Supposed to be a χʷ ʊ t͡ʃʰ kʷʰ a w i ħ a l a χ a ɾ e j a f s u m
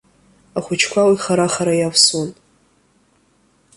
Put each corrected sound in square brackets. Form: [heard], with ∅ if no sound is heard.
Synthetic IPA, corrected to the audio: a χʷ ʊ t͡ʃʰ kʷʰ a w i [χ] a [ɾ] a χ a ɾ [a] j a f s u [n]